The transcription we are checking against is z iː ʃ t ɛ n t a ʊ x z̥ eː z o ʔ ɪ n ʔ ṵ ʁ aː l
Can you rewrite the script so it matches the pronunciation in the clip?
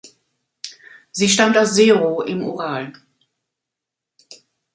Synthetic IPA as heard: z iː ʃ t a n t a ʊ s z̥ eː ʁ o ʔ ɪ m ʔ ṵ ʁ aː l